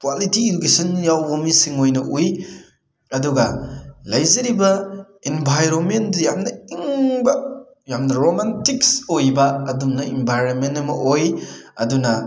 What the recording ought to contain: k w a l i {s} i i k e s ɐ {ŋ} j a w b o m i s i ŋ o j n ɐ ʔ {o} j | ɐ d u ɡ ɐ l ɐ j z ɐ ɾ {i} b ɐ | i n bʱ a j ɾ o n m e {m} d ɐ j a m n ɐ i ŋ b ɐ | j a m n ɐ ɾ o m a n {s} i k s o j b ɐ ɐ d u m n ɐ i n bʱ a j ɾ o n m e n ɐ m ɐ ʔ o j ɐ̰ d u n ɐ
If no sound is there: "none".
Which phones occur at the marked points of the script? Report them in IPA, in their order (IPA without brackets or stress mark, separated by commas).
t, n, u, i, n, t